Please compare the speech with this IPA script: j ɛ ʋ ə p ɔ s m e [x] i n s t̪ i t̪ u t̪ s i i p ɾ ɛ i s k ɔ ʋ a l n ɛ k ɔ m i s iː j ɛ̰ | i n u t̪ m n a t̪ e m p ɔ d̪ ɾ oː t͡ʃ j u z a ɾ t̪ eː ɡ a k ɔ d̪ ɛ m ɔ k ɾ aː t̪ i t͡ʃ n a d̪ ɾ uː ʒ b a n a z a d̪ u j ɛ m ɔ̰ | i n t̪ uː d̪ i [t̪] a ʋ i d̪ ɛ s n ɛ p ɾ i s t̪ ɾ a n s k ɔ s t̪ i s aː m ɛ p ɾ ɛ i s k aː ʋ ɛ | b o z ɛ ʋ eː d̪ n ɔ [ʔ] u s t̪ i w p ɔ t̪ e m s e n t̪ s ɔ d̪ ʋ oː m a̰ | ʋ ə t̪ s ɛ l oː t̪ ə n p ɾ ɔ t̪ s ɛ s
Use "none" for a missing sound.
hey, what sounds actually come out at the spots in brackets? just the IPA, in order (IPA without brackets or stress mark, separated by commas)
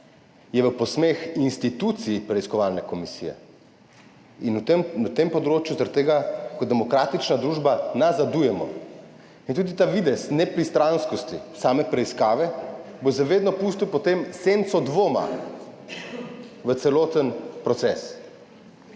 x, t̪, p